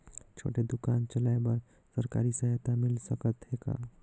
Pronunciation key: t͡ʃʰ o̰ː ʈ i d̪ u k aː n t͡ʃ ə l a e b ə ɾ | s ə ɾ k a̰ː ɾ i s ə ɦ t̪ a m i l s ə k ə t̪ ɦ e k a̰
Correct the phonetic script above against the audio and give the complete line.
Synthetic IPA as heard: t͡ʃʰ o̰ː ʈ e d̪ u k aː n t͡ʃ ə l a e b ə ɾ | s ə ɾ k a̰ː ɾ i s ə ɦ t̪ a m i l s ə k ə t̪ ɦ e k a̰